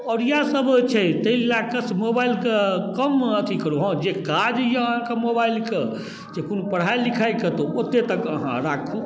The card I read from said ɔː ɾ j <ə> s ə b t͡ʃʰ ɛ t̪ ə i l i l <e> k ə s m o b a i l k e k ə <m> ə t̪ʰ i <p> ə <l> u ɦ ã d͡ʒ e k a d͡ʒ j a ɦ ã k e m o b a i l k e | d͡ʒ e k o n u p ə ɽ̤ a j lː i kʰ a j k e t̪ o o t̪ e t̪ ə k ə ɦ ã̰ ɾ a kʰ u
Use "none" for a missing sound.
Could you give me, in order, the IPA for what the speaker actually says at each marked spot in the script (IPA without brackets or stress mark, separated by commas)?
a, a, m, k, ɾ